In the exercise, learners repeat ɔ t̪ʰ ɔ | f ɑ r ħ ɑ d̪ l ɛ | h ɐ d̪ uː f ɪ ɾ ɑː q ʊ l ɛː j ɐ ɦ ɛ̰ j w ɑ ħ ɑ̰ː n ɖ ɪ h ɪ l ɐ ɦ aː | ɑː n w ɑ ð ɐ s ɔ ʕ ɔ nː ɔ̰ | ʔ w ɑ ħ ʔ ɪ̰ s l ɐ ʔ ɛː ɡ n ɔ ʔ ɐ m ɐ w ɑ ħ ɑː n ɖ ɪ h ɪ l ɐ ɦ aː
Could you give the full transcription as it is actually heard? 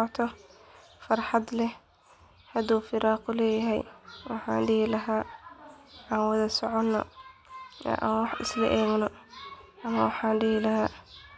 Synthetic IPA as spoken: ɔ t̪ʰ ɔ | f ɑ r ħ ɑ d̪ l ɛ | h ɐ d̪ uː f ɪ ɾ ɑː q ʊ l ɛː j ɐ ɦ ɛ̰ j w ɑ ħ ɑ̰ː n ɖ ɪ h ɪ l ɐ ɦ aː | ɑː n w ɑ ð ɐ s ɔ ʕ ɔ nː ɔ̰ | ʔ w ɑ ħ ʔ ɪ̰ s l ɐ ʔ ɛː ɡ n ɔ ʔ ɐ m ɐ w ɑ ħ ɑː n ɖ ɪ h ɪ l ɐ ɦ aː